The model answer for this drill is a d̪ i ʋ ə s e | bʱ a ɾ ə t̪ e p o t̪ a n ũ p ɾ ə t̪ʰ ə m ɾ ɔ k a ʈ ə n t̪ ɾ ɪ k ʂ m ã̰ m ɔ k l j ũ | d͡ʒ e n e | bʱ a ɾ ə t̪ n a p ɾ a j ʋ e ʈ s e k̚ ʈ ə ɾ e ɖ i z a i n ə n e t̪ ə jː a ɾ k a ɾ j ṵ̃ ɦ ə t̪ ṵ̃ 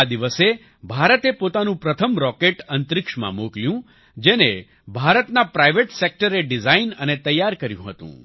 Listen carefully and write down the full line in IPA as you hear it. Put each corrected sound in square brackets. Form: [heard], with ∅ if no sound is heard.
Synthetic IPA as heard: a d̪ i ʋ ə s e | bʱ a ɾ ə t̪ e p o t̪ a n ũ p ɾ ə t̪ʰ ə m ɾ ɔ k [e] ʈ ə n t̪ ɾ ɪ k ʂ m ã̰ m [o] k l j ũ | d͡ʒ e n e | bʱ a ɾ ə t̪ n a p ɾ a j ʋ e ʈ s e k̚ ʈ ə ɾ e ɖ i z a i n ə n e t̪ ə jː a ɾ k [ə] ɾ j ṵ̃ ɦ ə t̪ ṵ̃